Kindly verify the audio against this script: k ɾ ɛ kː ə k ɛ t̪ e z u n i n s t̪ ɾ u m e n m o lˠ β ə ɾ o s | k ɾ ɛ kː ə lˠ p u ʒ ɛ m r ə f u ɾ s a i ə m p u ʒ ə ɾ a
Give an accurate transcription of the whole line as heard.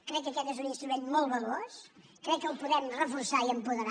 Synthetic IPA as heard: k ɾ ɛ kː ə k ɛ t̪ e z u n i n s t̪ ɾ u m e n m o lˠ β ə l o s | k ɾ ɛ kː ə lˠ p u ð ɛ m r ə f u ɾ s a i ə m p u ð ə ɾ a